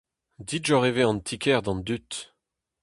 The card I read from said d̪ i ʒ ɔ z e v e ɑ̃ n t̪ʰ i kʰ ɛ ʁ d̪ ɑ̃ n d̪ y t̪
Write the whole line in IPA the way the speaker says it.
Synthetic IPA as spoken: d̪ i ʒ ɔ ʁ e v e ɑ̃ n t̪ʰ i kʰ ɛ ʁ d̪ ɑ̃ n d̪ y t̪